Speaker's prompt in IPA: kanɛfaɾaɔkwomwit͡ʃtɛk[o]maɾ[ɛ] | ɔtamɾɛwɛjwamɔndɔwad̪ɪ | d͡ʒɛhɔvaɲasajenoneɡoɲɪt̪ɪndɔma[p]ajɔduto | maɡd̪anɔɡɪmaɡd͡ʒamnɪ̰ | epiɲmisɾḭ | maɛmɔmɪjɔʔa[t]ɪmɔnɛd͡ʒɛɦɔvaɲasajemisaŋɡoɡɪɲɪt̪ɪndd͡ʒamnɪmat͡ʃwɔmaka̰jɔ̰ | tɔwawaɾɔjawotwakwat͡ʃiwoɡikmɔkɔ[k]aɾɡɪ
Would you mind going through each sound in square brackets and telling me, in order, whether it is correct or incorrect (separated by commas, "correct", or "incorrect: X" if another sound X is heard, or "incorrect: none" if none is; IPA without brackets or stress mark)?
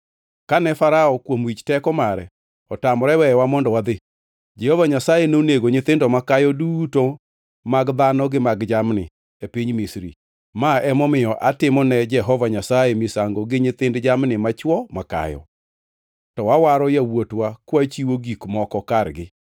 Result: incorrect: ɔ, correct, incorrect: k, correct, correct